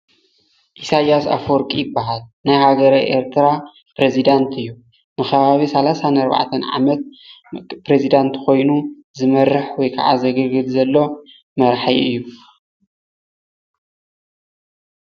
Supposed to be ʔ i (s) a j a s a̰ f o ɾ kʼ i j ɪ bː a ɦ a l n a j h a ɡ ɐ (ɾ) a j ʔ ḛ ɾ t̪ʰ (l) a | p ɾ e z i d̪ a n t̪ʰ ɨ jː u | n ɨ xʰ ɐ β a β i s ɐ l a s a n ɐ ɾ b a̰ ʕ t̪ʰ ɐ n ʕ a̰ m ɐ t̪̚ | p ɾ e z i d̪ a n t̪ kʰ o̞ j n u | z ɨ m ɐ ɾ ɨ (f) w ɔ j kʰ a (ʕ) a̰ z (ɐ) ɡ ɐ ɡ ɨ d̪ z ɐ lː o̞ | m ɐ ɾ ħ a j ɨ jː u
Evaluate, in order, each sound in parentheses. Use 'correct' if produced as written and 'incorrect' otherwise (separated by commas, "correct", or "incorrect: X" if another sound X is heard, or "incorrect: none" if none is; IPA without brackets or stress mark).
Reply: correct, correct, incorrect: ɾ, incorrect: ħ, correct, correct